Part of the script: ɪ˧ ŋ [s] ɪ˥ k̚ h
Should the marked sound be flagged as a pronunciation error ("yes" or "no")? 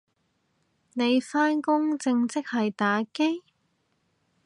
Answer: yes